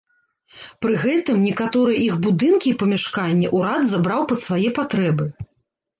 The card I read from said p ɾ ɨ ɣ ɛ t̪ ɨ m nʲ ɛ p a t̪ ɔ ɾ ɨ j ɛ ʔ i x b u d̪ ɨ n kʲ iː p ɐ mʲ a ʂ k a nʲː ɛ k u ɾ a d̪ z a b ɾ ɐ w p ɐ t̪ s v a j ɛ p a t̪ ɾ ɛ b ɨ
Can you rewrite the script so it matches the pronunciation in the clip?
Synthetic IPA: p ɾ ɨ ɣ ɛ t̪ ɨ m nʲ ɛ k a t̪ ɔ ɾ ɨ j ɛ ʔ i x b u d̪ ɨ n kʲ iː p ɐ mʲ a ʂ k a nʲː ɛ ʔ u ɾ a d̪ z a b ɾ a w p ɐ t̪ s v a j ɛ p a t̪ ɾ ɛ b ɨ

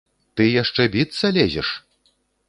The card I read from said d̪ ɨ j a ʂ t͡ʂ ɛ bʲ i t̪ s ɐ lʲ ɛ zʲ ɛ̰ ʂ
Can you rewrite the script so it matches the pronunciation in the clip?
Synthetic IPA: t̪ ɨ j a ʂ t͡ʂ ɛ bʲ i t̪ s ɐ lʲ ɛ zʲ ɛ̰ ʂ

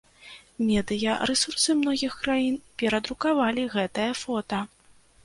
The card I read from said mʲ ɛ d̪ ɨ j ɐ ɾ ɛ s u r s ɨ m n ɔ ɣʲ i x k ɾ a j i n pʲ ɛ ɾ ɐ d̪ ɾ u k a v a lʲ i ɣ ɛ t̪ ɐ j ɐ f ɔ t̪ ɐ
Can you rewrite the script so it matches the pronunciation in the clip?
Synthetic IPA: mʲ ɛ d̪ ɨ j ɐ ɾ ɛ s u r s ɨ m n ɔ ɣʲ i x k ɾ a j i n pʲ ɛ ɾ ɐ d̪ ɾ u k a v a lʲ i ɣ ɛ t̪ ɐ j ɐ f ɔ t̪ ɐ

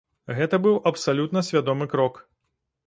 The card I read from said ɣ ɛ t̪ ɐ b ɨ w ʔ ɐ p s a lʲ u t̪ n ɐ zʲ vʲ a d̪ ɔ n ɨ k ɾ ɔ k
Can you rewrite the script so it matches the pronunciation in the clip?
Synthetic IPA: ɣ ɛ t̪ ɐ b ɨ w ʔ ɐ p s a lʲ u t̪ n ɐ sʲ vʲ a d̪ ɔ m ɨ k ɾ ɔ k

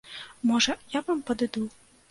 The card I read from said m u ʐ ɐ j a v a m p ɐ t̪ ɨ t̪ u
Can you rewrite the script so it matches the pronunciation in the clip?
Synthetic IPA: m ɔ ʐ ɐ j a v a m p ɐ d̪ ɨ d̪ u

